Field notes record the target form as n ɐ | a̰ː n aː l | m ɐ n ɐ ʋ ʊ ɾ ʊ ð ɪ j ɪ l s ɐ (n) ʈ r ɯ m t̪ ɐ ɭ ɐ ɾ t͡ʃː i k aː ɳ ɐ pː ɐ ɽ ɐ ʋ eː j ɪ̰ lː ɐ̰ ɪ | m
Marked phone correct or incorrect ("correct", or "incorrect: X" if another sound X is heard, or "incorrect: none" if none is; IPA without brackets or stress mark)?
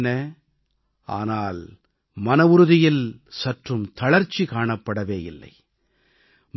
incorrect: none